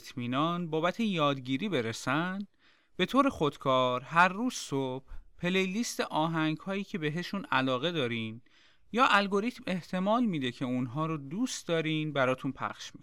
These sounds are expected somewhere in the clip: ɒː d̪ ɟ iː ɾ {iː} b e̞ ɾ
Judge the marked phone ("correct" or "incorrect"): correct